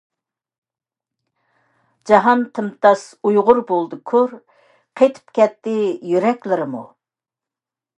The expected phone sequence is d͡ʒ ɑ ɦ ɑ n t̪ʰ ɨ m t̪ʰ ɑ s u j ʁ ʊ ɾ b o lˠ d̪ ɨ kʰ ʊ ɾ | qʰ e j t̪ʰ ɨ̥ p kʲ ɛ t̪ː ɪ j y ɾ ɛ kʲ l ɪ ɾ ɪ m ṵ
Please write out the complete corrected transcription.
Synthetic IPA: d͡ʒ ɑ ɦ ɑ n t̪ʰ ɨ m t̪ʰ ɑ s u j ʁ ʊ ɾ b o lˠ d̪ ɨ kʰ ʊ ɾ | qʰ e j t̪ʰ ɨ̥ p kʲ ɛ t̪ː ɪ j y ɾ ɛ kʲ l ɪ ɾ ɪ m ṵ